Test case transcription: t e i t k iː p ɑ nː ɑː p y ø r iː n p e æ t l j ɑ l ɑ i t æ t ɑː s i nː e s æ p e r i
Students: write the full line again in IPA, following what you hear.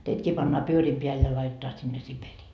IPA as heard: t e i t k iː p ɑ nː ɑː p y ø r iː m p e æ l j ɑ l ɑ i t e t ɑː s i nː e s i p e r iː